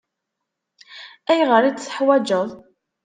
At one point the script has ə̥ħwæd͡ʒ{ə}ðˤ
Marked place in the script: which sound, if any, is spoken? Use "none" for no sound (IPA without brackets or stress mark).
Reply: ə